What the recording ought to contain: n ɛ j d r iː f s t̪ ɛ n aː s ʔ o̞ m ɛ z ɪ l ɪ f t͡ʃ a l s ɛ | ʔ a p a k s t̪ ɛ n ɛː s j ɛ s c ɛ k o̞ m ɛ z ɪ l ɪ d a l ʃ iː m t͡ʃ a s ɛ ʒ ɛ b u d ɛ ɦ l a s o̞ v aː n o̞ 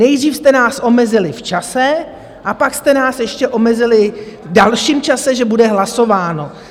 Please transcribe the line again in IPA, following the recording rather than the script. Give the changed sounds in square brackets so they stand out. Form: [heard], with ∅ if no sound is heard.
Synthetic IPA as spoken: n ɛ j d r iː f s t̪ ɛ n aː s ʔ o̞ m ɛ z ɪ l ɪ f t͡ʃ a [∅] s ɛ | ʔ a p a k s t̪ ɛ n [aː] s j ɛ [ʃ] c ɛ [ʔ] o̞ m ɛ z ɪ l ɪ d a l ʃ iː m t͡ʃ a s ɛ ʒ ɛ b u d ɛ ɦ l a s o̞ v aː n o̞